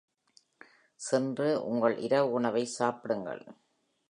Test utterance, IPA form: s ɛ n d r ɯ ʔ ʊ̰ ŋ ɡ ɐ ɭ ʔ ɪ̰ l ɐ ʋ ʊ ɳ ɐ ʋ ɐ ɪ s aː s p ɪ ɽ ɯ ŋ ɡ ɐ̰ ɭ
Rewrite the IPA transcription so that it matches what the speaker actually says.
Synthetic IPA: s ɛ n d r ɯ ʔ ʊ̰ ŋ ɡ ɐ ɭ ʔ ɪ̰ ɾ ɐ ʋ ʊ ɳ ɐ ʋ ɐ ɪ s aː p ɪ ɽ ɯ ŋ ɡ ɐ̰ ɭ